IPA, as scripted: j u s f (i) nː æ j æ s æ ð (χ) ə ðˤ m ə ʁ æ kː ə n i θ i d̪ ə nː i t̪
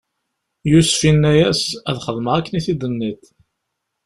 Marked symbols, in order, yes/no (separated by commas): yes, yes